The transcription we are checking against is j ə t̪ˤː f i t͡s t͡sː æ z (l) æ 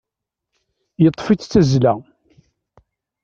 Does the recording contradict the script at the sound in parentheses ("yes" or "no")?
no